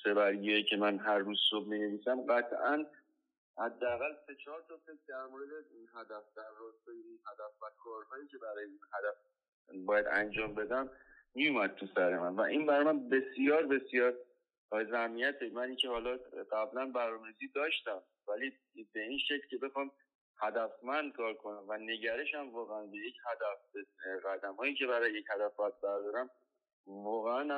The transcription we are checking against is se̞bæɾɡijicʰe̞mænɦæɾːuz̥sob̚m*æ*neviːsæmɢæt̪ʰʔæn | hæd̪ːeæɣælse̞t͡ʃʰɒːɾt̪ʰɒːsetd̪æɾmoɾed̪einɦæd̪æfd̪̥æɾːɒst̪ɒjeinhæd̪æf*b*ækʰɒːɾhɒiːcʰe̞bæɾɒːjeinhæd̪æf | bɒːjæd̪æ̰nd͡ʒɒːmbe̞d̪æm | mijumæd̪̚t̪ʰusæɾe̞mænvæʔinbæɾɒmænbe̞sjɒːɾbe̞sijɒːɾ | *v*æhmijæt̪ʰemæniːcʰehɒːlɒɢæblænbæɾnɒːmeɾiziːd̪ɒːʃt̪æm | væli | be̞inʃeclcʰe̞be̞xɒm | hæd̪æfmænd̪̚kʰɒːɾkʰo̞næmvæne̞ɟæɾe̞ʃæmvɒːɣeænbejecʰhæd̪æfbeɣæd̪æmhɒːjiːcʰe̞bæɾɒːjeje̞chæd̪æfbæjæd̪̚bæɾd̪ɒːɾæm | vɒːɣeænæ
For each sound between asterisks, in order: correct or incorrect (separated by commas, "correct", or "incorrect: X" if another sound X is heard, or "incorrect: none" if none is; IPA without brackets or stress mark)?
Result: incorrect: i, incorrect: v, incorrect: z